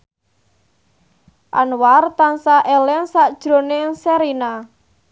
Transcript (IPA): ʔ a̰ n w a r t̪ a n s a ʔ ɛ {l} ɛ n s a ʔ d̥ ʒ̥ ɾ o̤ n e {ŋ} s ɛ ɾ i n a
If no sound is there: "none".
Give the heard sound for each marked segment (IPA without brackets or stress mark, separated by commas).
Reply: l, ŋ